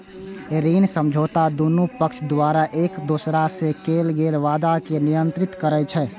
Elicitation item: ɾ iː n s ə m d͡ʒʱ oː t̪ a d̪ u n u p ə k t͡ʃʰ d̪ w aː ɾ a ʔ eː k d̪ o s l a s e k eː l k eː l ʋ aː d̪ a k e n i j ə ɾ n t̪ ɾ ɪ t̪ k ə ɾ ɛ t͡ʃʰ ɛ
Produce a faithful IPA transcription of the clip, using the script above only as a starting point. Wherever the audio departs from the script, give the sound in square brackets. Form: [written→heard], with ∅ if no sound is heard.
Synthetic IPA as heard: ɾ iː n s ə m d͡ʒʱ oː t̪ a d̪ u n u p ə k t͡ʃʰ d̪ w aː ɾ a ʔ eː k d̪ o s [l→ɾ] a s e k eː l [k→ɡ] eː l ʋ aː d̪ a k e n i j ə [ɾ→∅] n t̪ ɾ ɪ t̪ k ə ɾ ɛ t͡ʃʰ ɛ

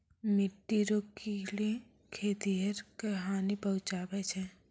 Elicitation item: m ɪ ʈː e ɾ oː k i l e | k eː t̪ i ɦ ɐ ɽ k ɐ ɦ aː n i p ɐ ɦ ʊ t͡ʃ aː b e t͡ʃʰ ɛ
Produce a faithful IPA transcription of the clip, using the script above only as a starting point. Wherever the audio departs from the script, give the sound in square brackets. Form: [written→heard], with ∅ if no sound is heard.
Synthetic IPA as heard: m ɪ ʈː [e→i] ɾ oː k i l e | [k→kʰ] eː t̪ i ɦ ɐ [ɽ→ɾ] k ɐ ɦ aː n i p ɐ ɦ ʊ t͡ʃ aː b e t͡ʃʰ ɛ

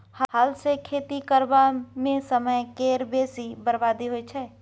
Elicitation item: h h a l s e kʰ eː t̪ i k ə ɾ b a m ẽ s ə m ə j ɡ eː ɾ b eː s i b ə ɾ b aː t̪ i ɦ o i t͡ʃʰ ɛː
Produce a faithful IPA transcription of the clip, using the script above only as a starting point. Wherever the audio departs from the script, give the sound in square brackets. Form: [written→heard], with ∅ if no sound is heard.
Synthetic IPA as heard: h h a l s e kʰ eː t̪ i k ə ɾ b a m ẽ s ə m ə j [ɡ→k] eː ɾ b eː s i b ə ɾ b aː [t̪→d̪] i ɦ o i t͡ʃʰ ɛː

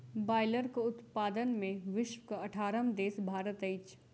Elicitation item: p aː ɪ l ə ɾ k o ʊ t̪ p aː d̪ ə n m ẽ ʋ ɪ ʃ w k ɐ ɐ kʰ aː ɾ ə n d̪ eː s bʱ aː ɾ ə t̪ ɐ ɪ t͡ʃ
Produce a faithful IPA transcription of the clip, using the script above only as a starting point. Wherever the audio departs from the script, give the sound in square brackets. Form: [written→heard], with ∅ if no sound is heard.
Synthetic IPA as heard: [p→b] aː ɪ l ə ɾ k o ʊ t̪ p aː d̪ ə n m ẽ ʋ ɪ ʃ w k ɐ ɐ [kʰ→ʈʰ] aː ɾ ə [n→m] d̪ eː s bʱ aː ɾ ə t̪ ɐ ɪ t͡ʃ

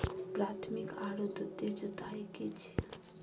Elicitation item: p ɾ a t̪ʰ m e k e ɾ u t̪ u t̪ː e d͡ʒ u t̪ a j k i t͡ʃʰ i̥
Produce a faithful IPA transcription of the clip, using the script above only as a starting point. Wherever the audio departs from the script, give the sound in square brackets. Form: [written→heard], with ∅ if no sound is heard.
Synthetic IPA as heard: p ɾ a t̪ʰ m [e→i] k [e→a] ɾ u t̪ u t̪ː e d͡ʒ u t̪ a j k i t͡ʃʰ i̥

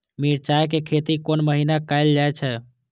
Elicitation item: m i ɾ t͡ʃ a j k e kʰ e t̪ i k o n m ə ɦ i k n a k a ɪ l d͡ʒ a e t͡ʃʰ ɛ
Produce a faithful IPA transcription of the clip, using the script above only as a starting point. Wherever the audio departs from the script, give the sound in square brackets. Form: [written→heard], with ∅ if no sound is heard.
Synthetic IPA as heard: m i ɾ t͡ʃ a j k e kʰ e t̪ i k o n m ə ɦ i [k→∅] n a k a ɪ l d͡ʒ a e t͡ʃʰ ɛ

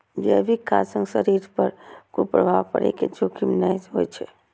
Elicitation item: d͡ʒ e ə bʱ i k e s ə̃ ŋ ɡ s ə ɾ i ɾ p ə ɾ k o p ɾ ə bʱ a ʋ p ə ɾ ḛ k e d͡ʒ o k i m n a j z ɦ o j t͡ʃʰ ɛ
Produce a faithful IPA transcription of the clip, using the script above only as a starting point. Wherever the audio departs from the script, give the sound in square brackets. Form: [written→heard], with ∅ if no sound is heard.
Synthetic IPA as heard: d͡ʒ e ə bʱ i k [e→a] s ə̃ ŋ ɡ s ə ɾ i ɾ p ə ɾ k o p ɾ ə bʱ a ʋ p ə ɾ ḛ k e d͡ʒ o k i m n a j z ɦ o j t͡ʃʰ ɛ

